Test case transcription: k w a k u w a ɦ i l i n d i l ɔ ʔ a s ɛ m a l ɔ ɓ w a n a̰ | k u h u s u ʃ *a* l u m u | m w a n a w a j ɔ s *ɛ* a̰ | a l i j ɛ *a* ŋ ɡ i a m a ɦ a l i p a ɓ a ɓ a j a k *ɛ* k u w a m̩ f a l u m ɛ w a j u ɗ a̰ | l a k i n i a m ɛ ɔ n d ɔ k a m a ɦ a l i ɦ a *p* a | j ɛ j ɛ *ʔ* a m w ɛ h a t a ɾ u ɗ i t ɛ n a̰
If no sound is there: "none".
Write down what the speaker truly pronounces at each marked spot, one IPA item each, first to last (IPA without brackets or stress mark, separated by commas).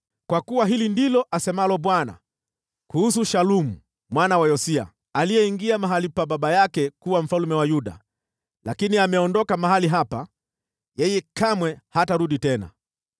a, i, i, ɛ, p, k